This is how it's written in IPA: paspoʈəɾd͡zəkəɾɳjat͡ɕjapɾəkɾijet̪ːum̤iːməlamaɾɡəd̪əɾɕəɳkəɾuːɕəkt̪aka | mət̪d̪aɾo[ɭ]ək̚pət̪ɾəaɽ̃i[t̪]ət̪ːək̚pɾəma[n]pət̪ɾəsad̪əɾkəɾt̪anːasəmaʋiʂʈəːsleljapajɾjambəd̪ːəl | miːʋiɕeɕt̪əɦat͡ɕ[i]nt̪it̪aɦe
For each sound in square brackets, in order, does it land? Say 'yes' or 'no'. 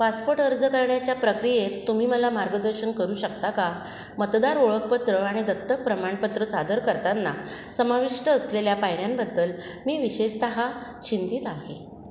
yes, no, no, yes

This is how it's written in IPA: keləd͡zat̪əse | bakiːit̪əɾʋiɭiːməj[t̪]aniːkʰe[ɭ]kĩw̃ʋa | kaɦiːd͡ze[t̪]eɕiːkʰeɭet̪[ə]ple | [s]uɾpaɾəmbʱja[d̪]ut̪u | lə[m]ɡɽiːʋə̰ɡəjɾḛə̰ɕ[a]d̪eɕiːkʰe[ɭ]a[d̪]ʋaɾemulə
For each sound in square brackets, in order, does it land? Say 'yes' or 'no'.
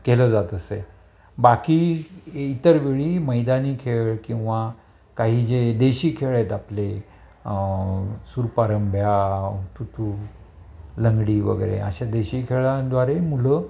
no, yes, no, no, yes, no, no, yes, yes, yes

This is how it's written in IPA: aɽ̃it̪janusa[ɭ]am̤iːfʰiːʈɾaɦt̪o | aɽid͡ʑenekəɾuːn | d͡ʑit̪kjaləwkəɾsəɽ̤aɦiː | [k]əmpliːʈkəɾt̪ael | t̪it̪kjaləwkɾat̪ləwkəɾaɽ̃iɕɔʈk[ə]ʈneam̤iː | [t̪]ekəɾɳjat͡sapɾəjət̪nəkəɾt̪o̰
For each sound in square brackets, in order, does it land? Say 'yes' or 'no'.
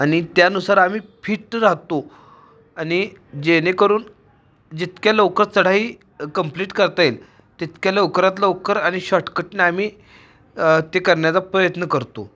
no, yes, yes, yes

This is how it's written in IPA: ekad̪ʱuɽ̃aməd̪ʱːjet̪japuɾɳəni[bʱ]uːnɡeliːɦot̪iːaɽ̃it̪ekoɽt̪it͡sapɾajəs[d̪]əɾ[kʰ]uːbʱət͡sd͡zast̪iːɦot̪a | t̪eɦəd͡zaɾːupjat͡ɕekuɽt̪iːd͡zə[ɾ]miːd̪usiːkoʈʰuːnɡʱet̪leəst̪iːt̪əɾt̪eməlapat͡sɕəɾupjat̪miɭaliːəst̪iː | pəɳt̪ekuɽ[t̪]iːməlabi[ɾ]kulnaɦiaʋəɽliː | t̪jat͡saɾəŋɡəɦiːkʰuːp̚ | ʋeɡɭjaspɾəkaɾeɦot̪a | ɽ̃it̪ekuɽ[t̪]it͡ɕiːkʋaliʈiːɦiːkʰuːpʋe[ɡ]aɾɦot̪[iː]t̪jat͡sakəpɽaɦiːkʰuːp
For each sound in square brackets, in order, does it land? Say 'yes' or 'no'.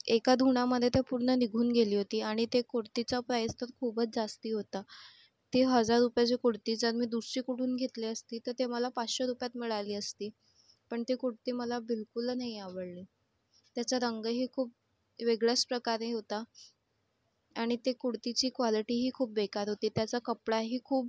no, no, yes, yes, yes, no, yes, no, yes

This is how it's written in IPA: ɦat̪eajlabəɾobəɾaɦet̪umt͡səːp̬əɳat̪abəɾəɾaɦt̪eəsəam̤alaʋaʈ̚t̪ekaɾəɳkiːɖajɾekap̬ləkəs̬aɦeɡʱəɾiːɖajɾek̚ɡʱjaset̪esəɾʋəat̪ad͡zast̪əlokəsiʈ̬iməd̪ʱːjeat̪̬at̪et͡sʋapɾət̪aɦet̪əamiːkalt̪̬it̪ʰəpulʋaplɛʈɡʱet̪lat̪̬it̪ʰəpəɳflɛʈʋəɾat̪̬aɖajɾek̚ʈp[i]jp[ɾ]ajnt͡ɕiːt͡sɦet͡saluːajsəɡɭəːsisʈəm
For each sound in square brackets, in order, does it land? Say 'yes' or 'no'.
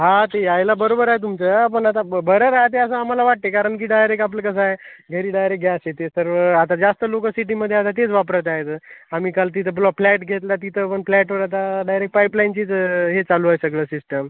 no, no

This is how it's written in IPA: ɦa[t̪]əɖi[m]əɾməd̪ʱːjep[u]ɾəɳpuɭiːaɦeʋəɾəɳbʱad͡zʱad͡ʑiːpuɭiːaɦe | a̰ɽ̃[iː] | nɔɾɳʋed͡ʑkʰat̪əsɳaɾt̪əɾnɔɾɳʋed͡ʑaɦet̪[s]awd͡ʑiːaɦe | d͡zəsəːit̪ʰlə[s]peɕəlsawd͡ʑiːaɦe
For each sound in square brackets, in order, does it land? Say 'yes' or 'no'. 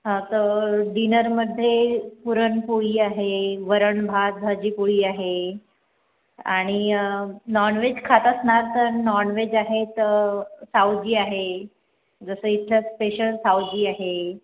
yes, no, yes, no, yes, yes

